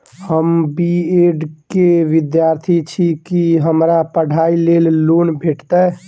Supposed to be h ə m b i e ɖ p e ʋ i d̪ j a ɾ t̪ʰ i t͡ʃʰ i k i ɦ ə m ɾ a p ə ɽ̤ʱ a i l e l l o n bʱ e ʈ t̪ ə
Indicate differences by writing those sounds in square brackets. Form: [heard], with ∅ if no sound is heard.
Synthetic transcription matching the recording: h ə m b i e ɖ [k] e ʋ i d̪ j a ɾ t̪ʰ i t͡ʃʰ i k i ɦ ə m ɾ a p ə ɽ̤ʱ a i l e l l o n bʱ e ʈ t̪ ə